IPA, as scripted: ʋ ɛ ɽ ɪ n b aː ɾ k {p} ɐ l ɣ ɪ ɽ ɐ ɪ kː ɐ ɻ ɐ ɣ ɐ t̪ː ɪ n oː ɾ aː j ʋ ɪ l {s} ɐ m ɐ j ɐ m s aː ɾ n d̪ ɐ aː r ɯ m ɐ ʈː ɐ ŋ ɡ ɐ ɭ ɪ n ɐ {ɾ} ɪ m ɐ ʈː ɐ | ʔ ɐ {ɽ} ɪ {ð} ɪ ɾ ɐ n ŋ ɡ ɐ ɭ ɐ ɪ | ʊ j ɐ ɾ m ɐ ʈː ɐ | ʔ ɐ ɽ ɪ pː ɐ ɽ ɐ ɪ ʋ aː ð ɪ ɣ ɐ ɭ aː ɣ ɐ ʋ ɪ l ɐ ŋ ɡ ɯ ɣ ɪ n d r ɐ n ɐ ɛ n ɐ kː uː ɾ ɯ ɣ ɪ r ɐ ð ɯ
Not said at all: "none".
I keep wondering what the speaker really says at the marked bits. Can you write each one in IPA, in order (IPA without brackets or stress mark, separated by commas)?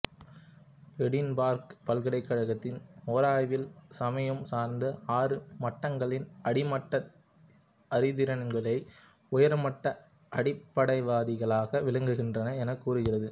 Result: p, s, ɽ, ɾ, ð